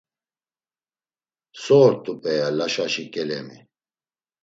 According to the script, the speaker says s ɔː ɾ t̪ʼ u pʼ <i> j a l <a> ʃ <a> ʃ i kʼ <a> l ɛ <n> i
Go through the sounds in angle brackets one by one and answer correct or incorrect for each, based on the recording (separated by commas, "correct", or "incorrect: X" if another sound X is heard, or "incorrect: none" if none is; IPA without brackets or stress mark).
incorrect: ɛ, correct, correct, incorrect: ɛ, incorrect: m